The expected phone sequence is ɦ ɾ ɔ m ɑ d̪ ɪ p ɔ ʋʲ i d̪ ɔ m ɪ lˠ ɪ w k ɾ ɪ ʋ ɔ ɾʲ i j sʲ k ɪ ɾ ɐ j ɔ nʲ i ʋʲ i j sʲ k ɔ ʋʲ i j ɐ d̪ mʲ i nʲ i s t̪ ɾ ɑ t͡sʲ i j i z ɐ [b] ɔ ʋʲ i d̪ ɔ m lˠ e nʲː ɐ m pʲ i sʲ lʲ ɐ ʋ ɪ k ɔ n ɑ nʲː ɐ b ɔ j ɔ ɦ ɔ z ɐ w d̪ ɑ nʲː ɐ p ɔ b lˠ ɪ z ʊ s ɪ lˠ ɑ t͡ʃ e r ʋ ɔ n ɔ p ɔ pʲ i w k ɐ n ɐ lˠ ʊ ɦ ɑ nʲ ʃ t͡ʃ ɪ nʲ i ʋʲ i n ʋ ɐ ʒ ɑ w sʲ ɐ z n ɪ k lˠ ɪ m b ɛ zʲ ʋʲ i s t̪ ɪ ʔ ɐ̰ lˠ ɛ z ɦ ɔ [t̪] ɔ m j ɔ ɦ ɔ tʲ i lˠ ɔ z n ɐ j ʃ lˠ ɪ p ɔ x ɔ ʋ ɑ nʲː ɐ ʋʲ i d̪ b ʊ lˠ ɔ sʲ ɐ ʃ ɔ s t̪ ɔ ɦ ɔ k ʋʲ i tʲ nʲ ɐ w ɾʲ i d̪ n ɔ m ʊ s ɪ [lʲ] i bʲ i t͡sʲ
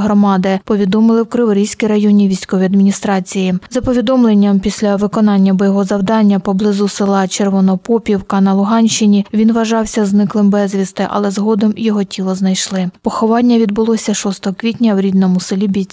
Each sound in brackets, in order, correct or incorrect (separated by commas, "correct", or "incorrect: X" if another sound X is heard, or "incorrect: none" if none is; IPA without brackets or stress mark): incorrect: p, incorrect: d̪, correct